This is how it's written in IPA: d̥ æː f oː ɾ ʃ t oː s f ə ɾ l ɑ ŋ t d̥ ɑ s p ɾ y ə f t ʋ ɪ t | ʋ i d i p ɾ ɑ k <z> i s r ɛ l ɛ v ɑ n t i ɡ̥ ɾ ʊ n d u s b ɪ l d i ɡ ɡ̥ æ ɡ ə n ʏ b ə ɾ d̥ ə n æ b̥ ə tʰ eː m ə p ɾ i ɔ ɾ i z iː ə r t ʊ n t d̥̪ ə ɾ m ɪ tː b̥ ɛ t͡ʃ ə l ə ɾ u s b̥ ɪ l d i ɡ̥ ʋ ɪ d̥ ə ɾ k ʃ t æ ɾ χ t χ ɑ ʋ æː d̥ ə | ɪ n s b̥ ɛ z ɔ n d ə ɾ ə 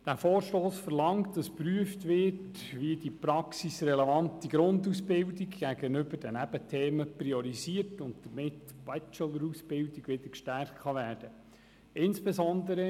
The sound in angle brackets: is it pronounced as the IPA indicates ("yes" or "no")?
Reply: no